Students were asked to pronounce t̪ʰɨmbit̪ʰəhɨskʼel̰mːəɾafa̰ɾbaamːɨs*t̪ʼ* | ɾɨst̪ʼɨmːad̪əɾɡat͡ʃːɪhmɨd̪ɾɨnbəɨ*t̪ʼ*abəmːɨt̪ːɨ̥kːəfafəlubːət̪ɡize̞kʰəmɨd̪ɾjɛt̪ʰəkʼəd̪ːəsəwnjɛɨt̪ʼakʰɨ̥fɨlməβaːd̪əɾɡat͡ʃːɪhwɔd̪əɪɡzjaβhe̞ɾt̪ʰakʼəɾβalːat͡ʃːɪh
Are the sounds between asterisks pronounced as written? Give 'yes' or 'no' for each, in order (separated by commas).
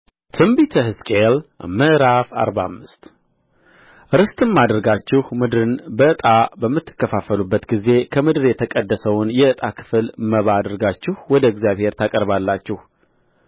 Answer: no, yes